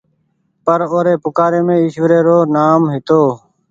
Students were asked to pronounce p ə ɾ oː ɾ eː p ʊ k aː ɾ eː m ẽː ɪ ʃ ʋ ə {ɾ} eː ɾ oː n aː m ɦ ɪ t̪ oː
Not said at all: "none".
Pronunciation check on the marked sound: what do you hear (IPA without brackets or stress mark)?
ɾ